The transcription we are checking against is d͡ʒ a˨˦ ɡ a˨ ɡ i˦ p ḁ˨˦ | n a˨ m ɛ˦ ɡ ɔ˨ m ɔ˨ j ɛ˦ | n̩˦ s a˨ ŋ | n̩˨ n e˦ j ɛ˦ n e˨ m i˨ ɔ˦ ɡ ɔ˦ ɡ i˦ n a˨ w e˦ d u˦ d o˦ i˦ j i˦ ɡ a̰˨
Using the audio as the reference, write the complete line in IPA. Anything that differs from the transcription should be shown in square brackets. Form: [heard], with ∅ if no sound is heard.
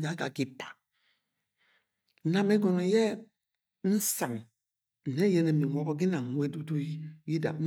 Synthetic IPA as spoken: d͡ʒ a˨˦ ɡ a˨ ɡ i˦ p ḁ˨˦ | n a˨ m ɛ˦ ɡ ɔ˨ [n] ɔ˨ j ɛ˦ | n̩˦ s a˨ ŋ | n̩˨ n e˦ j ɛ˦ n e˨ m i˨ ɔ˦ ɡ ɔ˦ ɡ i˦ n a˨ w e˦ d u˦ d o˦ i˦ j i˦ [d] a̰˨

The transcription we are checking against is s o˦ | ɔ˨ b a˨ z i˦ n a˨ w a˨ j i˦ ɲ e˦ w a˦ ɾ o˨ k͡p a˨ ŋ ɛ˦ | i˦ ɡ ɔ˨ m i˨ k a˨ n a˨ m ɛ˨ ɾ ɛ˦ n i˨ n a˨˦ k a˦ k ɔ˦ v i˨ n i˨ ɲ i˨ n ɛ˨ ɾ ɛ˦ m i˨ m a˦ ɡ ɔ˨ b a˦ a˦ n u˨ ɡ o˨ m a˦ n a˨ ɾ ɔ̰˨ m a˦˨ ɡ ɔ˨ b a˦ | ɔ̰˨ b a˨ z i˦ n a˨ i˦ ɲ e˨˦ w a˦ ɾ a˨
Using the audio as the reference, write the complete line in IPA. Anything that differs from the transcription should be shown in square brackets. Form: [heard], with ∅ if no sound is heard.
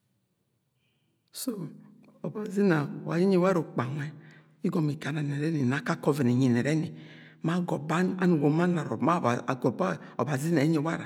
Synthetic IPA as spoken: s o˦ | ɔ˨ b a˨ z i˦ n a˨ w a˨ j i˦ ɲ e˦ w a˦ ɾ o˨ k͡p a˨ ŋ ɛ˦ | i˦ ɡ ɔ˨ m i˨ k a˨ n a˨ [n] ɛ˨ ɾ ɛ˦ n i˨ n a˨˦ k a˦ k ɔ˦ v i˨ n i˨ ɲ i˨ n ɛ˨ ɾ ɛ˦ [n] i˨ m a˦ ɡ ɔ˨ b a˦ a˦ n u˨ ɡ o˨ m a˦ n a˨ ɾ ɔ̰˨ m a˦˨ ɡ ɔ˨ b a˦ | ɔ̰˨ b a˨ z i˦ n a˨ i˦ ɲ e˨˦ w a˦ ɾ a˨

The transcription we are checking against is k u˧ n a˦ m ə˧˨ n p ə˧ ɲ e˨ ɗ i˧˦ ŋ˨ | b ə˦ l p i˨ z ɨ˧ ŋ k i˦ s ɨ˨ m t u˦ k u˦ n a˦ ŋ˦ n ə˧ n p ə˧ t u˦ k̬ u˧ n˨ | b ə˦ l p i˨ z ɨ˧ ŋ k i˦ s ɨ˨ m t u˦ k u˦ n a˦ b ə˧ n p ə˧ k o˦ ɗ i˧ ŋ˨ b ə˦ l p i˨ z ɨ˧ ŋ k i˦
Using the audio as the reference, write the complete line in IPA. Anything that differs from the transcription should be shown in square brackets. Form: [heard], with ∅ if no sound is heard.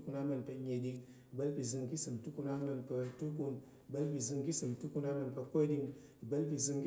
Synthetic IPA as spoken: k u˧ n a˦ m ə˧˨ n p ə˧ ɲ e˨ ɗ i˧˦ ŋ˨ | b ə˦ l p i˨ z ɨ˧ ŋ k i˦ s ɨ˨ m t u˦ k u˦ n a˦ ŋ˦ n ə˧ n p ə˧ t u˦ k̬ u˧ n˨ | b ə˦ l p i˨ z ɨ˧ ŋ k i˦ s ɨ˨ m t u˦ k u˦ n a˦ [m] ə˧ n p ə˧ k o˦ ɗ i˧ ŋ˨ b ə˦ l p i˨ z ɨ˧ ŋ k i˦

